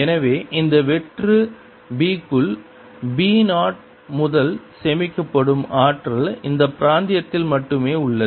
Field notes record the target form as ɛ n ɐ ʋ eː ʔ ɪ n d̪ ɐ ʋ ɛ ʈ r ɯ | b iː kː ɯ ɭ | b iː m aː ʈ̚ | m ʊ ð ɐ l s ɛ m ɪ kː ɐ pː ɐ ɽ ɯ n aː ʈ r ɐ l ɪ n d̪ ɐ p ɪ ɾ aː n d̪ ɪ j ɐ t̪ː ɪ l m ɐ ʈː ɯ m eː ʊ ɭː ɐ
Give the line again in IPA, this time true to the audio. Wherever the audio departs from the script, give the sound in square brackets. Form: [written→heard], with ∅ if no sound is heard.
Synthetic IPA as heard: ɛ n ɐ ʋ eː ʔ ɪ n d̪ ɐ ʋ ɛ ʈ r ɯ | b iː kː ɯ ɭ | b iː [m→n] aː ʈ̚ | m ʊ ð ɐ l s ɛ m ɪ kː ɐ pː ɐ ɽ ɯ [n→m] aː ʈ r ɐ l ɪ n d̪ ɐ p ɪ ɾ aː n d̪ ɪ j ɐ t̪ː ɪ l m ɐ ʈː ɯ m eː ʊ ɭː ɐ